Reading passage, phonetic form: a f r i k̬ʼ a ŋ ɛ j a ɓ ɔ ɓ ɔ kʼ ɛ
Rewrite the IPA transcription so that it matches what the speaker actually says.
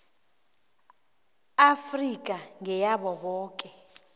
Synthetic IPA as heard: a f r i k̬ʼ a ŋ ɛ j a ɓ ɔ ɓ ɔː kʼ ɛ